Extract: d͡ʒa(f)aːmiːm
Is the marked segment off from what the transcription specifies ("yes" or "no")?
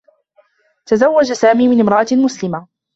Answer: yes